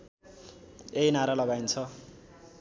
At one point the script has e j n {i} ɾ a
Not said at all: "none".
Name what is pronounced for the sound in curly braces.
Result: a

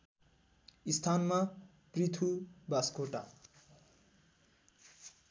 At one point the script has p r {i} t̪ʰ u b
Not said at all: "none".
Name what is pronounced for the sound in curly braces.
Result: i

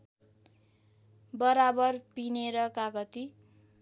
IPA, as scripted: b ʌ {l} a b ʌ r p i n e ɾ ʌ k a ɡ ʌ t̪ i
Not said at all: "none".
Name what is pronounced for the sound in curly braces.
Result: ɾ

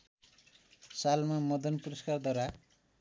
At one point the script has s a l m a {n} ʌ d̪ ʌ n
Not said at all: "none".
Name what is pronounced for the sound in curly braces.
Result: m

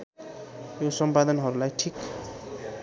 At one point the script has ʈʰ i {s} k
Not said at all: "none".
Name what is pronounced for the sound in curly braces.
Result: none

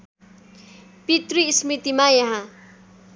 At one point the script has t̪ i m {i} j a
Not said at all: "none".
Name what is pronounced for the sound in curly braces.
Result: a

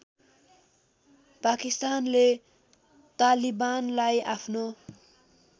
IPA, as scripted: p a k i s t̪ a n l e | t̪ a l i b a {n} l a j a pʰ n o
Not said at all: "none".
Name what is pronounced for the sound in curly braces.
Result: n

